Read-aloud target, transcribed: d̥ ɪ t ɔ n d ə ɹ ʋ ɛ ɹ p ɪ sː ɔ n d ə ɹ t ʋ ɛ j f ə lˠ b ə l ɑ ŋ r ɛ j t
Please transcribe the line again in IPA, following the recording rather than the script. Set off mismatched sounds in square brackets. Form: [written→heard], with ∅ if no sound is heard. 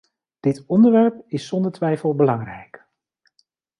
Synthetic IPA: d̥ ɪ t ɔ n d ə ɹ ʋ ɛ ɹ p ɪ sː ɔ n d ə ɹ t ʋ ɛ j f ə lˠ b ə l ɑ ŋ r ɛ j [t→k]